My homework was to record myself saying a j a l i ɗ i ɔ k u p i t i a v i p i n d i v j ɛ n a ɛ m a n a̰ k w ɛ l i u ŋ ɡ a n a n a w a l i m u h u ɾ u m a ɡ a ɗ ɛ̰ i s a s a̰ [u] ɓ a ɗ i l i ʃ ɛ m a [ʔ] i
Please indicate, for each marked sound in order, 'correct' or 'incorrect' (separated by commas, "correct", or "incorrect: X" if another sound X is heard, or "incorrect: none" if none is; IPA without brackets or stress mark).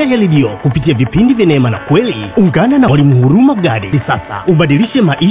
correct, correct